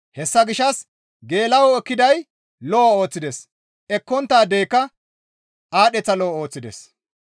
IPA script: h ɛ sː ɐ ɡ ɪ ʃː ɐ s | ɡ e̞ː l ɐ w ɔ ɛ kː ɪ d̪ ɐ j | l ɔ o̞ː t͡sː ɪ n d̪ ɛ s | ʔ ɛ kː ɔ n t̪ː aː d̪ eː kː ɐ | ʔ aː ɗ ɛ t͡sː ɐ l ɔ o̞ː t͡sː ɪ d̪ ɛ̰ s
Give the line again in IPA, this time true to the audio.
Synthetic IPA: h ɛ sː ɐ ɡ ɪ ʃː ɐ s | ɡ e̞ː l ɐ w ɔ ɛ kː ɪ d̪ ɐ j | l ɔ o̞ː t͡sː ɪ d̪ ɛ s | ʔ ɛ kː ɔ n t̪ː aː d̪ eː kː ɐ | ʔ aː ɗ ɛ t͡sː ɐ l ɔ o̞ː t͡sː ɪ d̪ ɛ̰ s

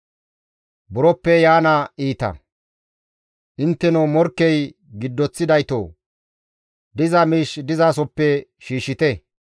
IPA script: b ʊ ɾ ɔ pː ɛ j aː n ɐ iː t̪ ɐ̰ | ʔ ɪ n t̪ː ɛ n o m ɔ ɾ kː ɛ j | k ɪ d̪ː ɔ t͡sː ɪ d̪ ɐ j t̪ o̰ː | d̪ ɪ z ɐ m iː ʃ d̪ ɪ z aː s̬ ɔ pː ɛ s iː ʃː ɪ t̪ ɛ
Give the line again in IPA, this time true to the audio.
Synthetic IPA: b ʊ ɾ ɔ pː ɛ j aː n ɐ iː t̪ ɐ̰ | ʔ ɪ n t̪ː ɛ n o m ɔ ɾ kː ɛ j | ɡ ɪ d̪ː ɔ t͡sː ɪ d̪ ɐ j t̪ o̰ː | d̪ ɪ z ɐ m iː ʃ d̪ ɪ z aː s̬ ɔ pː ɛ ʃ iː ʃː ɪ t̪ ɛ

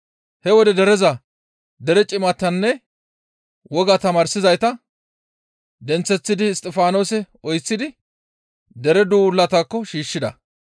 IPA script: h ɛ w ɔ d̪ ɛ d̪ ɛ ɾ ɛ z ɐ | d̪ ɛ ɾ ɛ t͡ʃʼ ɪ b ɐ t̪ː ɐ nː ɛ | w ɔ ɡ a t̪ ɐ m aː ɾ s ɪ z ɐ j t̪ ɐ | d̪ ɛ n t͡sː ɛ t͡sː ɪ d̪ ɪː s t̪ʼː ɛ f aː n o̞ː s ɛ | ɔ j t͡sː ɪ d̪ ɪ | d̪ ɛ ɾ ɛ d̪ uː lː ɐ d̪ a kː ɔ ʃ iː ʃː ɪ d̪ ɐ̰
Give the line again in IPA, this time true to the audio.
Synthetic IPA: h ɛ w ɔ d̪ ɛ d̪ ɛ ɾ ɛ z ɐ | d̪ ɛ ɾ ɛ t͡ʃʼ ɪ m ɐ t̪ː ɐ nː ɛ | w ɔ ɡ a t̪ ɐ m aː ɾ s ɪ z ɐ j t̪ ɐ | d̪ ɛ n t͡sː ɛ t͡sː ɪ d̪ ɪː s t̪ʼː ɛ f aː n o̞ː s ɛ | ɔ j t͡sː ɪ d̪ ɪ | d̪ ɛ ɾ ɛ d̪ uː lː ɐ t̪ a kː ɔ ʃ iː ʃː ɪ d̪ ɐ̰

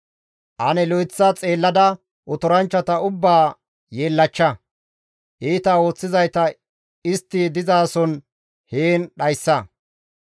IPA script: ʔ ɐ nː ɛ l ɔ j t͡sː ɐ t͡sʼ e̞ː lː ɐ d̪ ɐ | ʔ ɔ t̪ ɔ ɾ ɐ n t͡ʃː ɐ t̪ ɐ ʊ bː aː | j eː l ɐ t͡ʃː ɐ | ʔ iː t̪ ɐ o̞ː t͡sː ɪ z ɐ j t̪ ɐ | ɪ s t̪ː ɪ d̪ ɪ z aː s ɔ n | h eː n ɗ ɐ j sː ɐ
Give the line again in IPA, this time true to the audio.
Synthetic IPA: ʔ ɐ n ɛ l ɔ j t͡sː ɐ t͡sʼ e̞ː lː ɐ d̪ ɐ | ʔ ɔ t̪ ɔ ɾ ɐ n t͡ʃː ɐ t̪ ɐ ʊ bː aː | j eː lː ɐ t͡ʃː ɐ | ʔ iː t̪ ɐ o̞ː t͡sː ɪ z ɐ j t̪ ɐ | ɪ s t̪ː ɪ d̪ ɪ z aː s ɔ n | h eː n ɗ ɐ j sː ɐ

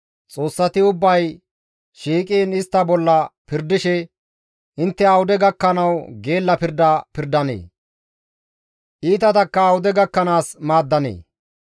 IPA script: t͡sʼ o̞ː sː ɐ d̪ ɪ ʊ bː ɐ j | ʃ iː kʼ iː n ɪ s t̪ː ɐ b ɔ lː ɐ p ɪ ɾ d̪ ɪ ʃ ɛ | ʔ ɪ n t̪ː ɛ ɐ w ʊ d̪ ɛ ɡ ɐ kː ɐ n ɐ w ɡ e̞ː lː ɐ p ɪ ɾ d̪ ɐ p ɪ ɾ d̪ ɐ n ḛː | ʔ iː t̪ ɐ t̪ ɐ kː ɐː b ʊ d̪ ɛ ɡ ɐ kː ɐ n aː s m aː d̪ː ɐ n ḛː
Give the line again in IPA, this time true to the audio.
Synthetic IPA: t͡sʼ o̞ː sː ɐ t̪ ɪ ʊ bː ɐ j | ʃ iː kʼ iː n ɪ s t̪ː ɐ b ɔ lː ɐ p ɪ ɾ d̪ ɪ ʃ ɛ | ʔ ɪ n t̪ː ɛ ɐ w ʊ d̪ ɛ ɡ ɐ kː ɐ n ɐ w ɡ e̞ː lː ɐ p ɪ ɾ d̪ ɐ p ɪ ɾ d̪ ɐ n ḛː | ʔ iː t̪ ɐ t̪ ɐ kː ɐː w ʊ d̪ ɛ ɡ ɐ kː ɐ n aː s m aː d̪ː ɐ n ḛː

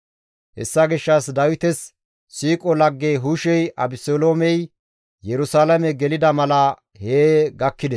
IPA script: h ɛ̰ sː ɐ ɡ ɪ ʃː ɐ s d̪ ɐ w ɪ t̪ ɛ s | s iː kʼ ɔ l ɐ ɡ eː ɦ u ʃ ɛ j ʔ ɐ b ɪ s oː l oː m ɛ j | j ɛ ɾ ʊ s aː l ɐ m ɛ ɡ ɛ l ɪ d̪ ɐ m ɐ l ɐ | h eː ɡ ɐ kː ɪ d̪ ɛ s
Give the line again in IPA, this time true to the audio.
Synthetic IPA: h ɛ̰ sː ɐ ɡ ɪ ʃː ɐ s d̪ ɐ w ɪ t̪ ɛ s | s iː kʼ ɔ l ɐ ɡː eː ɦ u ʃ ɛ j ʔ ɐ b ɪ s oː l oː m ɛ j | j ɛ ɾ ʊ s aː l ɐ m ɛ ɡ ɛ l ɪ d̪ ɐ m ɐ l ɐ | h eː ɡ ɐ kː ɪ d̪ ɛ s

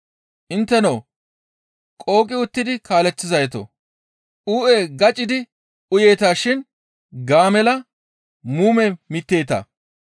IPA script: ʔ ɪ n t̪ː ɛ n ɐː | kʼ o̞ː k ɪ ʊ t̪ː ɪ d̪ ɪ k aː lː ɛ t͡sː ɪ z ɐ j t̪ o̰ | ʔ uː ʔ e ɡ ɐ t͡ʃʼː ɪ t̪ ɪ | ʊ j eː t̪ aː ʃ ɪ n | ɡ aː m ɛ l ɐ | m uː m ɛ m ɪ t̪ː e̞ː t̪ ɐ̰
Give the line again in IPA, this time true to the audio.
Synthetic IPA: ʔ ɪ n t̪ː ɛ n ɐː | kʼ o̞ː kʼ ɪ ʊ t̪ː ɪ d̪ ɪ k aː l ɛ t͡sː ɪ z ɐ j t̪ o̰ | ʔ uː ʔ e ɡ ɐ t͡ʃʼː ɪ d̪ ɪ | ʊ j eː t̪ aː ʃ ɪ n | ɡ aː m ɛ l ɐ | m uː m ɛ m ɪ t̪ː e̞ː t̪ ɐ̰

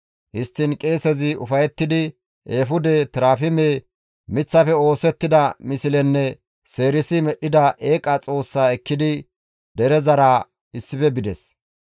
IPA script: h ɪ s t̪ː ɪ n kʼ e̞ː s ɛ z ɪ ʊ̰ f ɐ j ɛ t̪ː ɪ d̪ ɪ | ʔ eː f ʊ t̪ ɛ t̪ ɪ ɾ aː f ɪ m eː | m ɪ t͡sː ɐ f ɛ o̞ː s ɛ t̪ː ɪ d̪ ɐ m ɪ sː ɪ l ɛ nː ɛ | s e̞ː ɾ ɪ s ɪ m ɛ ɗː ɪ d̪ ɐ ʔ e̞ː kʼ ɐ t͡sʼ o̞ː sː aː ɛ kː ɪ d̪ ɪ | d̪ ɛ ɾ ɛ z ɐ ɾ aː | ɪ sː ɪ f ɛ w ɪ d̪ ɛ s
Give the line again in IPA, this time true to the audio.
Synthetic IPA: h ɪ s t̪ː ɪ n kʼ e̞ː s ɛ z ɪ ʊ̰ f ɐ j ɛ t̪ː ɪ d̪ ɪ | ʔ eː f ʊ d̪ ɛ t̪ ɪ ɾ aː f ɪ m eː | m ɪ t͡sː ɐ f ɛ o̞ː s ɛ t̪ː ɪ d̪ ɐ m ɪ s ɪ l ɛ nː ɛ | s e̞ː ɾ ɪ s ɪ m ɛ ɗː ɪ d̪ ɐ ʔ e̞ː kʼ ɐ t͡sʼ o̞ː sː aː ɛ kː ɪ d̪ ɪ | d̪ ɛ ɾ ɛ z ɐ ɾ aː | ɪ sː ɪ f ɛ b ɪ d̪ ɛ s

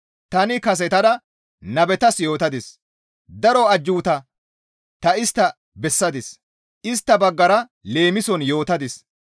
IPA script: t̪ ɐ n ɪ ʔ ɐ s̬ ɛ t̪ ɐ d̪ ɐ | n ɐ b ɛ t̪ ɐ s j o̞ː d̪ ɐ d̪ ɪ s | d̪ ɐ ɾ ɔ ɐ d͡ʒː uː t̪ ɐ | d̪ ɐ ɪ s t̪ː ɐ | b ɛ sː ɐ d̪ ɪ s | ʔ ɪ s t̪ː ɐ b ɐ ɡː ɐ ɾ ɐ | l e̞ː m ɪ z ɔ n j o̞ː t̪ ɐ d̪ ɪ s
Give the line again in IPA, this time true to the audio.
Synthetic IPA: t̪ ɐ n ɪ k ɐ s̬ ɛ t̪ ɐ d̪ ɐ | n ɐ b ɛ t̪ ɐ s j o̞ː t̪ ɐ d̪ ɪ s | d̪ ɐ ɾ ɔ ɐ d͡ʒː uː t̪ ɐ | t̪ ɐ ɪ s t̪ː ɐ | b ɛ sː ɐ d̪ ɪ s | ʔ ɪ s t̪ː ɐ b ɐ ɡː ɐ ɾ ɐ | l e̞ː m ɪ s ɔ n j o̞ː t̪ ɐ d̪ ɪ s

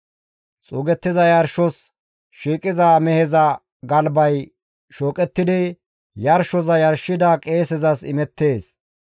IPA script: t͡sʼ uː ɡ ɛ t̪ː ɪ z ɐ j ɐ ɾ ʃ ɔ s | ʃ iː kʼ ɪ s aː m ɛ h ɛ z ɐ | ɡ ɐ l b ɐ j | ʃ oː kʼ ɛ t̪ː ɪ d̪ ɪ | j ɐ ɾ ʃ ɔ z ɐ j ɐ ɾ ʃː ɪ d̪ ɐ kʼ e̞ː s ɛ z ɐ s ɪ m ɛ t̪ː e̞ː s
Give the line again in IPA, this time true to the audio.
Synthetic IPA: t͡sʼ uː ɡ ɛ t̪ː ɪ z ɐ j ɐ ɾ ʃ ɔ s | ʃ iː kʼ ɪ z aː m ɛ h ɛ z ɐ | ɡ ɐ l b ɐ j | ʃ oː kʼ ɛ t̪ː ɪ d̪ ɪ | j ɐ ɾ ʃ ɔ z ɐ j ɐ ɾ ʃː ɪ d̪ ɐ kʼ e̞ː s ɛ z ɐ s ɪ m ɛ t̪ː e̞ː s

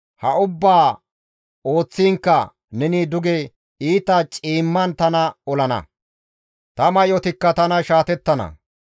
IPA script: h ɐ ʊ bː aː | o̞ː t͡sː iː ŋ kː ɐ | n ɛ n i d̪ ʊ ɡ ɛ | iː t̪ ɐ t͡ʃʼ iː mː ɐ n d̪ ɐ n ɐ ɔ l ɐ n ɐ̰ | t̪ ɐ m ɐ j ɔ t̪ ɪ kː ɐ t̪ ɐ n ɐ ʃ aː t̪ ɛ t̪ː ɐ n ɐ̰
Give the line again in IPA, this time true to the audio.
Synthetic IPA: h ɐ ʊ bː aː | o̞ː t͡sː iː ŋ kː ɐ | n ɛ n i d̪ ʊ ɡ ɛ | iː t̪ ɐ t͡ʃʼ iː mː ɐ n t̪ ɐ n ɐ ɔ l ɐ n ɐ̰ | t̪ ɐ m ɐ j ɔ t̪ ɪ kː ɐ t̪ ɐ n ɐ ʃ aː t̪ ɛ t̪ː ɐ n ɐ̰

